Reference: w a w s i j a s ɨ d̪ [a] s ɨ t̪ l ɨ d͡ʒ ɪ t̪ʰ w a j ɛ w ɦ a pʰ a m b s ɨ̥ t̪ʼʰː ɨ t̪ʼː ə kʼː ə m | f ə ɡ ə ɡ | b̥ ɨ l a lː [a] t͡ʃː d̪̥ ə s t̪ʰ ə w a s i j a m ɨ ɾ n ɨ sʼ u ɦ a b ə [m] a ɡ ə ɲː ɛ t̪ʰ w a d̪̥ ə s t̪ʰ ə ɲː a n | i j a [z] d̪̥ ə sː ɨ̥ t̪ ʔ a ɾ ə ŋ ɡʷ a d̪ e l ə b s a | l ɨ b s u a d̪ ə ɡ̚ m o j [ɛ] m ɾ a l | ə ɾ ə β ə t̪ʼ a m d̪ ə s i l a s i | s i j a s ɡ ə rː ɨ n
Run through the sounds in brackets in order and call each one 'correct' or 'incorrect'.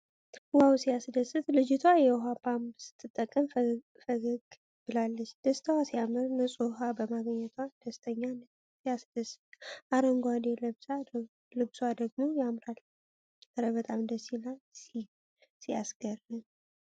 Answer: incorrect: ə, incorrect: ə, correct, incorrect: s, incorrect: a

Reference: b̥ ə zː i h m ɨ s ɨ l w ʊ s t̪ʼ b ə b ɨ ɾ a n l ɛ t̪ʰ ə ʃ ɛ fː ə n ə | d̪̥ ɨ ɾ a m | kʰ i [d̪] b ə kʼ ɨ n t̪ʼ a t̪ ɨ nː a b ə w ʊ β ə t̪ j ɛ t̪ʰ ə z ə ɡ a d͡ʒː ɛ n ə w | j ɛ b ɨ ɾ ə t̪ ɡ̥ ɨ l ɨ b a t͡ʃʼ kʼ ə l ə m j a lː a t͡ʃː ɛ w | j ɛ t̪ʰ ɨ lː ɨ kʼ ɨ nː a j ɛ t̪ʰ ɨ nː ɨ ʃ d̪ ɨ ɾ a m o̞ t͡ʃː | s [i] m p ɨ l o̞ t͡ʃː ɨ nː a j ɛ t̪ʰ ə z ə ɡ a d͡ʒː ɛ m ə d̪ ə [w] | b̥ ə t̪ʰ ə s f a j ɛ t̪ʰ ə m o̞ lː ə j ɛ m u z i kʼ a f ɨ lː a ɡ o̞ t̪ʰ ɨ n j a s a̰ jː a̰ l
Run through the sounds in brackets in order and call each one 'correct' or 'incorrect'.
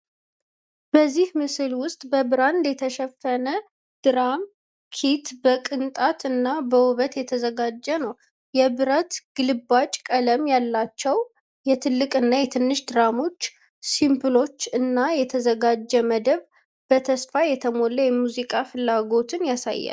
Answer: incorrect: t̪, correct, incorrect: β

